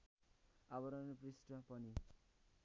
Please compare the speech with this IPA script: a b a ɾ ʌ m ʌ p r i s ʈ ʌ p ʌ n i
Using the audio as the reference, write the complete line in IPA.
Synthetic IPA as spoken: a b ʌ ɾ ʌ n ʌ p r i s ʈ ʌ p ʌ n i